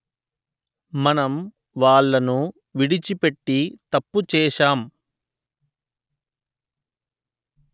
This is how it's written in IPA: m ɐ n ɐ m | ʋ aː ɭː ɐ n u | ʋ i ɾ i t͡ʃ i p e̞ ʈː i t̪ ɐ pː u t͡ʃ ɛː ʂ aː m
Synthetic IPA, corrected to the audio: m ɐ n ɐ m | ʋ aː ɭː ɐ n u | ʋ i ɽ i t͡ʃ i p e̞ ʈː i t̪ ɐ pː u t͡ʃ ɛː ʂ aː m